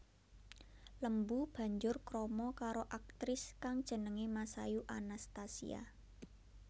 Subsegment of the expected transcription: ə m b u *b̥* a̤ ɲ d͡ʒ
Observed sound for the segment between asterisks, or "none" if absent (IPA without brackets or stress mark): b̥